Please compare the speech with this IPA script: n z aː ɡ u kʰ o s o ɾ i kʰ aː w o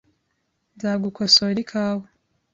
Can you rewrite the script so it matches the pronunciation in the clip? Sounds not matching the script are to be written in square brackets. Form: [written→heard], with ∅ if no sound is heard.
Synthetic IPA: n z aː ɡ u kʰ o s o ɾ i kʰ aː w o